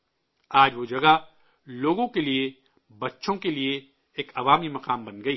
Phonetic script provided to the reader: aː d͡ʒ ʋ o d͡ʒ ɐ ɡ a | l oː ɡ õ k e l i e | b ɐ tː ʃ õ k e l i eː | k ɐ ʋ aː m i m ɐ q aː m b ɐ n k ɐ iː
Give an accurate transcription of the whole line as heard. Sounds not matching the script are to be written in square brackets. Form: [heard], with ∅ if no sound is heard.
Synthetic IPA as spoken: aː d͡ʒ ʋ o d͡ʒ ɐ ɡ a | l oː ɡ õ k e l i e | b ɐ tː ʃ õ k e l i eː | k ɐ ʋ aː m i m ɐ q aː m b ɐ n [ɡ] ɐ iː